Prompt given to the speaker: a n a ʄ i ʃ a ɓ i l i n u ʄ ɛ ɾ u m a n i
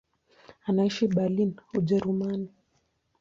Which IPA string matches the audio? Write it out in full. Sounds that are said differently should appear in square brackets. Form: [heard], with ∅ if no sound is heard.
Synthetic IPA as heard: a n a [∅] i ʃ [i] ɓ [a] l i n u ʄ ɛ ɾ u m a n i